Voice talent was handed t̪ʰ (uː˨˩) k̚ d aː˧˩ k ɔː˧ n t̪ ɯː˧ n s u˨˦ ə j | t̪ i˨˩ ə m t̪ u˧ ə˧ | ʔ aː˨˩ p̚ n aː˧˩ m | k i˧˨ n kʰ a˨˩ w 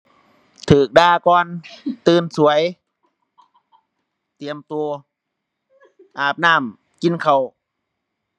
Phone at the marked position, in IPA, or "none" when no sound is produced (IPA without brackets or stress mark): ɯː˨˩